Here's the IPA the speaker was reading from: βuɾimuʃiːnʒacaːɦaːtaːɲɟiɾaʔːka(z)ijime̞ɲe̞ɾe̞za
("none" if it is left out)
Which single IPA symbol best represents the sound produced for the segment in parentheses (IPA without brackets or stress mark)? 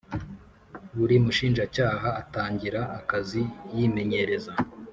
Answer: z